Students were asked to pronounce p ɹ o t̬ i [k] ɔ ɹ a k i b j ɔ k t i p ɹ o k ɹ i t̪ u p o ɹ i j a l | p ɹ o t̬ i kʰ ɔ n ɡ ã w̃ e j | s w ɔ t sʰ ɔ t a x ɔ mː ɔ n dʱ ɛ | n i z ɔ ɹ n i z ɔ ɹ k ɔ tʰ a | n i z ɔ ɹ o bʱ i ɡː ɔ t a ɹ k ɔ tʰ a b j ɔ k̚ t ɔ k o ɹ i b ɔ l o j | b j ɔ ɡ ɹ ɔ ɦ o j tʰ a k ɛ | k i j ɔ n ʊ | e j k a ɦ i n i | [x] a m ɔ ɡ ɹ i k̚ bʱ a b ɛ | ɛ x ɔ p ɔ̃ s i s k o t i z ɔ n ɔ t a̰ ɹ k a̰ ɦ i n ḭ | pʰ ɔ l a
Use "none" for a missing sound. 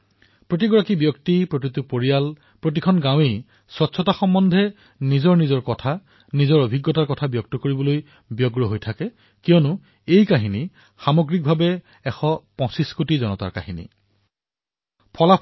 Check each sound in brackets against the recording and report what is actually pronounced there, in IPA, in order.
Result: ɡ, x

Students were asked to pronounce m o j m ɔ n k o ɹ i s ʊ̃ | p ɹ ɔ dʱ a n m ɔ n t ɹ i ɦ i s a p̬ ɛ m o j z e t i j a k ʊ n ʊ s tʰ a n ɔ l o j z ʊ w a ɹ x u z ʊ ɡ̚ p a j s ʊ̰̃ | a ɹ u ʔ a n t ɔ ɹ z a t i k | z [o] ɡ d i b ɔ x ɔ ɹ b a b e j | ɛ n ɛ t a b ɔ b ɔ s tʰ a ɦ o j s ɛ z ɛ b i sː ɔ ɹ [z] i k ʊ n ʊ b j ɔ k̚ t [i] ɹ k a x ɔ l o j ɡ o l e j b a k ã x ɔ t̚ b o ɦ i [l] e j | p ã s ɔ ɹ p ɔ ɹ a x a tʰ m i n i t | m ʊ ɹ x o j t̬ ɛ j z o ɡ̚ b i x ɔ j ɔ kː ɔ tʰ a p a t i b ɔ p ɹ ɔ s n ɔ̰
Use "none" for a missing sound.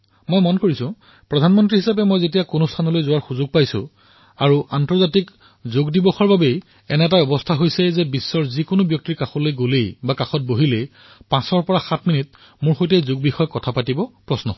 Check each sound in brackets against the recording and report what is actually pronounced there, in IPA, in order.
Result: o, z, i, l

